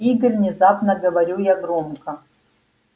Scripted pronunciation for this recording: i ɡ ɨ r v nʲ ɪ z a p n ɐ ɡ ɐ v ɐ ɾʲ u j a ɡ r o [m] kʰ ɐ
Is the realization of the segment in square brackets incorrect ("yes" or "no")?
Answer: no